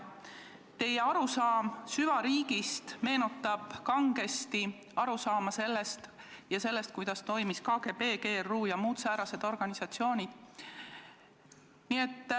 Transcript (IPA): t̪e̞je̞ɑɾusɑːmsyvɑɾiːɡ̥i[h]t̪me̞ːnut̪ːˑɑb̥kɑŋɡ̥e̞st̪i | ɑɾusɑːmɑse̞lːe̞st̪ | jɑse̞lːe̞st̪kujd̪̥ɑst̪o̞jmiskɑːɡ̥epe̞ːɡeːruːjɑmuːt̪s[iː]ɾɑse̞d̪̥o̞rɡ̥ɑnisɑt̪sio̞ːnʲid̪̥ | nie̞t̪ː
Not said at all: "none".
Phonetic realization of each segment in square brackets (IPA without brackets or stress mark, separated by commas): s, æː